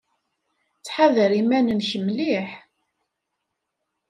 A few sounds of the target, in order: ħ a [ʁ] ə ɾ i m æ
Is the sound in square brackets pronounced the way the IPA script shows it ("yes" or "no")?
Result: no